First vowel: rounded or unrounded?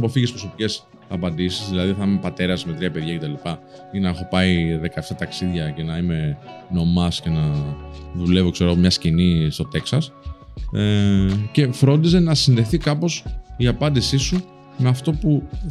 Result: rounded